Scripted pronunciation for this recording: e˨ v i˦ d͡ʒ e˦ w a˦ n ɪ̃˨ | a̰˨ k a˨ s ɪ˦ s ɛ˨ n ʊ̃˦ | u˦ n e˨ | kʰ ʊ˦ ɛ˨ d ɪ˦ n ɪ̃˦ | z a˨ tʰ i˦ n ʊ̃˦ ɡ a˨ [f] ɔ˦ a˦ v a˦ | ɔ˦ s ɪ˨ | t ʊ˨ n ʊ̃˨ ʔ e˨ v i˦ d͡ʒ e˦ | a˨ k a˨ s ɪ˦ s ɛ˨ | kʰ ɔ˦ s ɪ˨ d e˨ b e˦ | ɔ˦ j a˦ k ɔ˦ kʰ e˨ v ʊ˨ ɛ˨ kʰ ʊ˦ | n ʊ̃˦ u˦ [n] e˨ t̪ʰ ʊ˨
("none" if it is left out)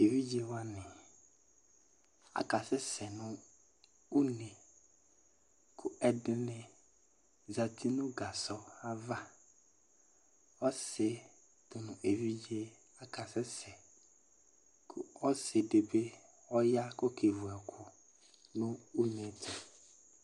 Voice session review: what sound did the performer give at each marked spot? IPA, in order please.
s, n

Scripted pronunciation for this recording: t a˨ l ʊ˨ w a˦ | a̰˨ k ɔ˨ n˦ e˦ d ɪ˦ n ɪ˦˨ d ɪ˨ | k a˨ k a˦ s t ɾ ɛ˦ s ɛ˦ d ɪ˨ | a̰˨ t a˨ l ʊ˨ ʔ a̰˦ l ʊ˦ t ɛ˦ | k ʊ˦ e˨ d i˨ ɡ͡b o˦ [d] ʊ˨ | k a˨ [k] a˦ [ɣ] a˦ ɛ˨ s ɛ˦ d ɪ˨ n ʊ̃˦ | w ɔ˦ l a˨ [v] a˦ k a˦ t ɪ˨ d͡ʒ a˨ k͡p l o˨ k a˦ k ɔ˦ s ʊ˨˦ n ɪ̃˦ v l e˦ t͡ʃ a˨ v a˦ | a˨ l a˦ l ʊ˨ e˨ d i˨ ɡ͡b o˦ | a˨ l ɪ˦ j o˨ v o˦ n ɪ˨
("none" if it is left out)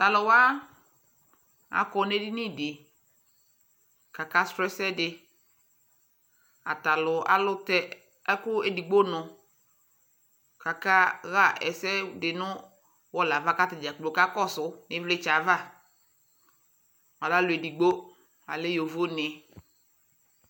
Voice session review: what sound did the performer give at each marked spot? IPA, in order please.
n, k, ɣ, v

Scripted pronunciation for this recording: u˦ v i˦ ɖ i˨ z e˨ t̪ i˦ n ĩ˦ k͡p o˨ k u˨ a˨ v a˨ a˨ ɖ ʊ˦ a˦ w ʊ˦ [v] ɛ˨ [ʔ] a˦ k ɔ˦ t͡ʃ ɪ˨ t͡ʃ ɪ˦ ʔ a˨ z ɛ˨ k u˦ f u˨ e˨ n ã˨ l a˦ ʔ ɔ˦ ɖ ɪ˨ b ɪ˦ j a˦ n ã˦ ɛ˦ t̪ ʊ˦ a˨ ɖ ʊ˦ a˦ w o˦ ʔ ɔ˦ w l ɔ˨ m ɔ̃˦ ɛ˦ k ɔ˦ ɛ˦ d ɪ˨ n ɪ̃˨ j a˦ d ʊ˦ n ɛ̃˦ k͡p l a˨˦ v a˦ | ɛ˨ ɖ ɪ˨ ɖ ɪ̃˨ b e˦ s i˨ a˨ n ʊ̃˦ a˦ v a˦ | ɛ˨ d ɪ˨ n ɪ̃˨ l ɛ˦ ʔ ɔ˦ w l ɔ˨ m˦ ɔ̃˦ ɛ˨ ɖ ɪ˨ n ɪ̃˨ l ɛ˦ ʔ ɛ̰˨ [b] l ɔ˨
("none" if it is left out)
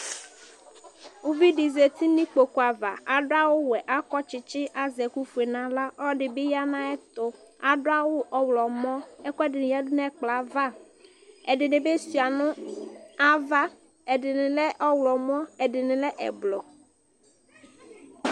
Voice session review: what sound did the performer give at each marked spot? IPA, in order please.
w, ʔ, b

